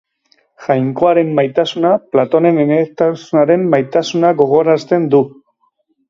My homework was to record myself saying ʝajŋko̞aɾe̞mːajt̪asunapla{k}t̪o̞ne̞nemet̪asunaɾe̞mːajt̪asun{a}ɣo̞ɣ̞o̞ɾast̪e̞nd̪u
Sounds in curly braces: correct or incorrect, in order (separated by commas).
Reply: incorrect, correct